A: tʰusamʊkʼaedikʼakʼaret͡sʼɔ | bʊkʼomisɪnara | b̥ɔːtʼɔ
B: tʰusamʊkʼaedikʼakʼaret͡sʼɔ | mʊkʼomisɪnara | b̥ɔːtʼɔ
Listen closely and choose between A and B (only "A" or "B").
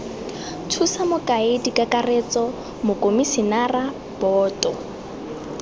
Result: B